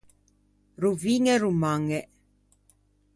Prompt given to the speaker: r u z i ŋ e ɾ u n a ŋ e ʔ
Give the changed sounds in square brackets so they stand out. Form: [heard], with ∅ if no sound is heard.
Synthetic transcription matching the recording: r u [v] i ŋ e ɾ u [m] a ŋ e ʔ